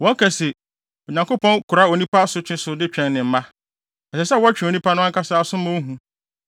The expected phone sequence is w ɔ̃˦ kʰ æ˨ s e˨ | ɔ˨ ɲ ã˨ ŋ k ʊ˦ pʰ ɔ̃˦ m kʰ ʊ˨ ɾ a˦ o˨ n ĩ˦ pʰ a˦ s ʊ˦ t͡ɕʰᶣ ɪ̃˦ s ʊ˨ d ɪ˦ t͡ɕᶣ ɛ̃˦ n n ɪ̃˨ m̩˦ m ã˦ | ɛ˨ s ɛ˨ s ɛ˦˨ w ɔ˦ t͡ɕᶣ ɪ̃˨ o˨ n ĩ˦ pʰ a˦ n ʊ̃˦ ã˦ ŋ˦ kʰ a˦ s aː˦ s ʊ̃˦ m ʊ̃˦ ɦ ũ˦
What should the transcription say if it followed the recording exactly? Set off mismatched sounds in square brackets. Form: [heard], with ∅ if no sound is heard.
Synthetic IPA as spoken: w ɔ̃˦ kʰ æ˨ s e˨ | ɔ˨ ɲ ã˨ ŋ k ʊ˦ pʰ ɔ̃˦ [n] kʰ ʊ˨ ɾ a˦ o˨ n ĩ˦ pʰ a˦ s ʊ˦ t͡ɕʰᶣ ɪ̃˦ s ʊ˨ d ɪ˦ t͡ɕᶣ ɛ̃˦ n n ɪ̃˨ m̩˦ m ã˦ | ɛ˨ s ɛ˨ s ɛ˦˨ w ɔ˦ t͡ɕᶣ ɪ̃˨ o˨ n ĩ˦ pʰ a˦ n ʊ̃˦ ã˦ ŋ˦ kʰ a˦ s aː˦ s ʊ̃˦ m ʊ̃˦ ɦ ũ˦